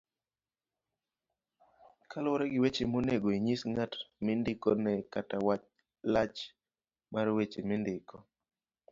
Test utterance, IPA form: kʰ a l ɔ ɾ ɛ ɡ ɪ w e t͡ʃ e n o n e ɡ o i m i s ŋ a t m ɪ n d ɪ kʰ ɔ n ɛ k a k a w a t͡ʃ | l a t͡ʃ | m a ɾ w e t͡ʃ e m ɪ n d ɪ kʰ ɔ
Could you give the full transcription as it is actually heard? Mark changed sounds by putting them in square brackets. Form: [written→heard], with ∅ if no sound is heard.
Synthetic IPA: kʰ a l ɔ ɾ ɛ ɡ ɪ w e t͡ʃ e [n→m] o n e ɡ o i [m→ɲ] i s ŋ a t m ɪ n d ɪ [kʰ→k] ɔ n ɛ k a [k→t] a w a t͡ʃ | l a t͡ʃ | m a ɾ w e t͡ʃ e m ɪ n d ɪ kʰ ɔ